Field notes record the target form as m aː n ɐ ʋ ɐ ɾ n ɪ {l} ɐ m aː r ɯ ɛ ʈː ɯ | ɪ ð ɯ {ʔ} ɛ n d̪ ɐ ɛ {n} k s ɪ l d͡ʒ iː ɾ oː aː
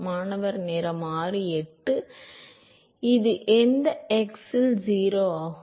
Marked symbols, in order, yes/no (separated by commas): no, yes, no